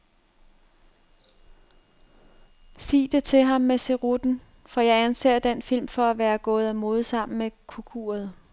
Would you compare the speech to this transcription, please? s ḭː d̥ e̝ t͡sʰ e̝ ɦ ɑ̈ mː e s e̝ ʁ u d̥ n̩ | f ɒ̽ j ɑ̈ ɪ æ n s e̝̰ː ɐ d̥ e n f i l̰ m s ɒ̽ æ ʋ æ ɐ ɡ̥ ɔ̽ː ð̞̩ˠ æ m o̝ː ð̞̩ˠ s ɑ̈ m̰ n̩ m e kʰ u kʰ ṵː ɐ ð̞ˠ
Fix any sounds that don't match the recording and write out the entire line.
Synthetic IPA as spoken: s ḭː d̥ e̝ t͡sʰ e̝ ɦ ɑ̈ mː e s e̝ ʁ u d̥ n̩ | f ɒ̽ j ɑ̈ ɪ æ n s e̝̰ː ɐ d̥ e n f i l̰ m f ɒ̽ æ ʋ æː ɐ ɡ̥ ɔ̽ː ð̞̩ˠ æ m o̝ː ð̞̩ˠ s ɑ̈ m̰ n̩ m e kʰ u kʰ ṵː ɐ ð̞ˠ

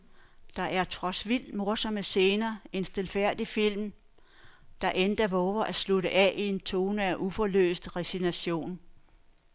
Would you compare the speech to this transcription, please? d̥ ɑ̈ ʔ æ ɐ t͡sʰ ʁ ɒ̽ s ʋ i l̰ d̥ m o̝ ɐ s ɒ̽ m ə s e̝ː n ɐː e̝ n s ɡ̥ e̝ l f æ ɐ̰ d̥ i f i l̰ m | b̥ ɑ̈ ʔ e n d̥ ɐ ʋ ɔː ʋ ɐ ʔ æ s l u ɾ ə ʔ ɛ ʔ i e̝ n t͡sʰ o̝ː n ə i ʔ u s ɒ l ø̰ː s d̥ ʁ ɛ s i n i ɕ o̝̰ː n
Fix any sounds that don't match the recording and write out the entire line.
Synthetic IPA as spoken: d̥ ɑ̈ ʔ æ ɐ t͡sʰ ʁ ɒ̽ s ʋ i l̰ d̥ m o̝ ɐ s ɒ̽ m ə s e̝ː n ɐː e̝ n s d̥ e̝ l f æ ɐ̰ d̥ i f i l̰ m | d̥ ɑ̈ ʔ e n d̥ ɐ ʋ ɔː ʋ ɐ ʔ æ s l u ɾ ə ʔ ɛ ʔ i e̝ n t͡sʰ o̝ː n ə æ ʔ u f ɒ l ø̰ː s d̥ ʁ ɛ s i n æ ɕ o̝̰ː n

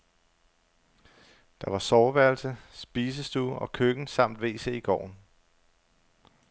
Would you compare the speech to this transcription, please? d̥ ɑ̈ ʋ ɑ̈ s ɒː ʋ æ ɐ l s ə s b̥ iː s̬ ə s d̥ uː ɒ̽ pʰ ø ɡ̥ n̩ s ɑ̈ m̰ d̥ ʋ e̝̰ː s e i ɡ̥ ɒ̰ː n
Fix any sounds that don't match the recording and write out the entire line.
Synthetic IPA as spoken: d̥ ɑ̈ ʋ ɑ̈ s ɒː ʋ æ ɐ l s ə s b̥ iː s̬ ə s d̥ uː ɒ̽ kʰ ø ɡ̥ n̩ s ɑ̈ m̰ d̥ ʋ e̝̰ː s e i ɡ̥ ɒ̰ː n

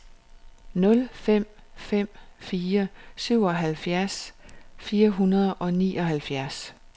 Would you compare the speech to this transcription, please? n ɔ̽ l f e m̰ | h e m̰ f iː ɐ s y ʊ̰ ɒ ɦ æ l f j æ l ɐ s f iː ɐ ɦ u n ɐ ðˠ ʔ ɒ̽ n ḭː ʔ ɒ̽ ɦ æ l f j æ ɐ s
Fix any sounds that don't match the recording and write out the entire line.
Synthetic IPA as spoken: n ɔ̽ l f e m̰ | f e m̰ f iː ɐ s y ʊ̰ ɒ ɦ æ l f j æ ɐ s f iː ɐ ɦ u n ɐ ðˠ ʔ ɒ̽ n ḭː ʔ ɒ̽ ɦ æ l f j æ ɐ s

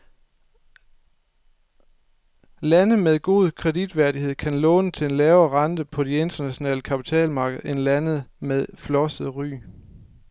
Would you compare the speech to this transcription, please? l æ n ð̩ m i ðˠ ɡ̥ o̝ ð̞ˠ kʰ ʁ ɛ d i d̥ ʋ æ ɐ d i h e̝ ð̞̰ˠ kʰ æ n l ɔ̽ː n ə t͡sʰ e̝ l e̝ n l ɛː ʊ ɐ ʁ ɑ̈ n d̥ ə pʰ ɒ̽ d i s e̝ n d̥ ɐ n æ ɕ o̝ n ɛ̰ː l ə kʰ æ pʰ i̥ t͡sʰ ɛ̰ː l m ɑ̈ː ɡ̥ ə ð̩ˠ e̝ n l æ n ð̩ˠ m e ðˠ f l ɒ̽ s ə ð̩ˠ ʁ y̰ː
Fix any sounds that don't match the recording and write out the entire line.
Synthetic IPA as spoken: l æ n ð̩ m e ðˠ ɡ̥ o̝ ð̞ˠ kʰ ʁ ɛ d i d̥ ʋ æ ɐ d i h e̝ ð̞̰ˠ kʰ æ n l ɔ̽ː n ə t͡sʰ e̝ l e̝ n l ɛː ʊ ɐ ʁ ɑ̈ n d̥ ə pʰ ɒ̽ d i e̝ n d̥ ɐ n æ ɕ o̝ n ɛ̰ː l ə kʰ æ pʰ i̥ t͡sʰ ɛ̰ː l m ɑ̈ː ɡ̥ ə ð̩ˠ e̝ n l æ n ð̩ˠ m e ðˠ f l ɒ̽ s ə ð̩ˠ ʁ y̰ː

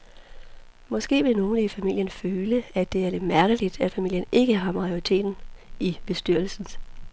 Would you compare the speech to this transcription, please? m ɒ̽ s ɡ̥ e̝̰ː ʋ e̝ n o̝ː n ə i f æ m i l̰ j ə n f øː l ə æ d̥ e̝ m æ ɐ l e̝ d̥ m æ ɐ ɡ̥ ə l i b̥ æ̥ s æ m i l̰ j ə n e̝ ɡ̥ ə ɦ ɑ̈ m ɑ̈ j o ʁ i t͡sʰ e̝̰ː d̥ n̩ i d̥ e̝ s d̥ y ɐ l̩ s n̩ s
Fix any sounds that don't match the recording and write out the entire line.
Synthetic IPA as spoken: m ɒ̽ s ɡ̥ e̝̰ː ʋ e̝ n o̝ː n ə i f æ m i l̰ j ə n f øː l ə æ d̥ e̝ æ ɐ l e̝ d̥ m æ ɐ ɡ̥ ə l i d̥ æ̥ f æ m i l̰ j ə n e̝ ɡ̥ ə ɦ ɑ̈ m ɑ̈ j o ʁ i t͡sʰ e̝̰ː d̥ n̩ i b̥ e̝ s d̥ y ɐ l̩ s n̩ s

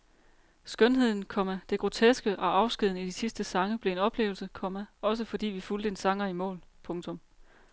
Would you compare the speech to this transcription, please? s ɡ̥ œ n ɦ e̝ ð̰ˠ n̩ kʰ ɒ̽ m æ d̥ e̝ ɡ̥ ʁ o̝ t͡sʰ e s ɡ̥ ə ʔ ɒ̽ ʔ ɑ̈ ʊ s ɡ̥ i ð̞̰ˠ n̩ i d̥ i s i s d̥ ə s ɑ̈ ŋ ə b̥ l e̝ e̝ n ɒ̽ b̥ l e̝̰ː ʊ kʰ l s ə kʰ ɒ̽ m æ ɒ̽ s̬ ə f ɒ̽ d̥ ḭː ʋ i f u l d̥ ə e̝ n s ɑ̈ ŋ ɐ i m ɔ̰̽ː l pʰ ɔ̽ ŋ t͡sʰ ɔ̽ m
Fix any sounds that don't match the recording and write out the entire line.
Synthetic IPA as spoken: s ɡ̥ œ n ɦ e̝ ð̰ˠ n̩ kʰ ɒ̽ m æ d̥ e̝ ɡ̥ ʁ o̝ t͡sʰ e s ɡ̥ ə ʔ ɒ̽ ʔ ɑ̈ ʊ s ɡ̥ i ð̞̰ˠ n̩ i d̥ i s i s d̥ ə s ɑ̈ ŋ ə b̥ l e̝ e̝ n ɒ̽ b̥ l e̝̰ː ʊ l s ə kʰ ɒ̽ m æ ɒ̽ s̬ ə f ɒ̽ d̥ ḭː ʋ i f u l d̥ ə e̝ n s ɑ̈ ŋ ɐ i m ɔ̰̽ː l pʰ ɔ̽ ŋ t͡sʰ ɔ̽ m

